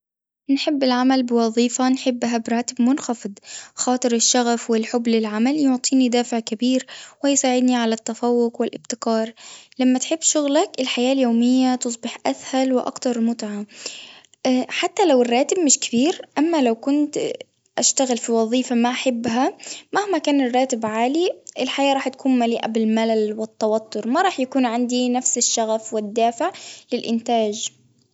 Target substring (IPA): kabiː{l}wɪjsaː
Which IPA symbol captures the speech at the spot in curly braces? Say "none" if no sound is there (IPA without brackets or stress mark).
ɾ